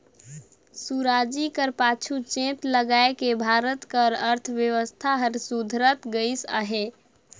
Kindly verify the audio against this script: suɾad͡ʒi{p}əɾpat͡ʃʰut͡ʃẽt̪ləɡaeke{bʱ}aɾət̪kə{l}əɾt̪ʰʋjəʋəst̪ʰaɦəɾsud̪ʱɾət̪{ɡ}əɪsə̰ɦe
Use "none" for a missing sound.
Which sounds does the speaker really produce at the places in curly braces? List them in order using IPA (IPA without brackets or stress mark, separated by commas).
k, bʱ, ɾ, ɡ